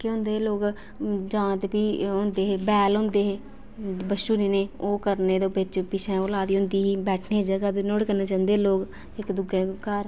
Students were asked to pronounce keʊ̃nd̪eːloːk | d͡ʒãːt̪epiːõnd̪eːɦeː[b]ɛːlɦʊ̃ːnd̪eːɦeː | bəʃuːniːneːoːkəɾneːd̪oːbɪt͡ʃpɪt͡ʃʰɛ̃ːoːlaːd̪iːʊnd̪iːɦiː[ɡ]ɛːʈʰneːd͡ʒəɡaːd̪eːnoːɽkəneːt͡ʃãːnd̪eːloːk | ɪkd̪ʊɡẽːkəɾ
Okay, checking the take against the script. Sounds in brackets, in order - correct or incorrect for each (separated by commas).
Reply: correct, incorrect